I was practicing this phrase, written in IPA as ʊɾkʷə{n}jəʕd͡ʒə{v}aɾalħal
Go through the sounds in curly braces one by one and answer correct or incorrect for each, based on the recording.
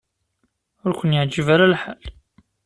correct, correct

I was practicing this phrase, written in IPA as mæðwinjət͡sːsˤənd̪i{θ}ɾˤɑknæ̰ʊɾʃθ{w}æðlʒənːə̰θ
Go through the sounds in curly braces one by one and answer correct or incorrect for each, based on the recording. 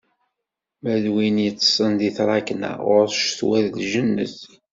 correct, correct

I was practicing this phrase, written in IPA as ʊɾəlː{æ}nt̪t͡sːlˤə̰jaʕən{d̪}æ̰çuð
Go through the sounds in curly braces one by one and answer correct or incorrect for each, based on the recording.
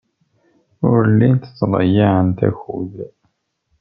incorrect: i, incorrect: t̪

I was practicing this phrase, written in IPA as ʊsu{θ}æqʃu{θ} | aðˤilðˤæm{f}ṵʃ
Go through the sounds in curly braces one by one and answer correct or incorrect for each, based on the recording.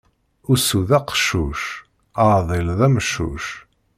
incorrect: ð, incorrect: ʃ, incorrect: ʃ

